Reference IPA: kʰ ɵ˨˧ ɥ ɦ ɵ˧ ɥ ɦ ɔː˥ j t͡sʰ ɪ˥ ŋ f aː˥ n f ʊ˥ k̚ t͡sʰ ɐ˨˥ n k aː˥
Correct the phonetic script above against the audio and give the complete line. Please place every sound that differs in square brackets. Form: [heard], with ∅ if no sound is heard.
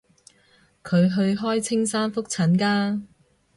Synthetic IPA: kʰ ɵ˨˧ ɥ ɦ ɵ˧ ɥ ɦ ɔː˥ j t͡sʰ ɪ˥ ŋ [s] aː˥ n f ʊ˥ k̚ t͡sʰ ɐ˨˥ n k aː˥